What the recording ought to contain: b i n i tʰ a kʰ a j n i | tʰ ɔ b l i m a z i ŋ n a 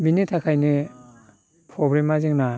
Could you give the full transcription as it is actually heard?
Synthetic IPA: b i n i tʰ a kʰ a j n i | pʰ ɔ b ɾ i m a z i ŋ n a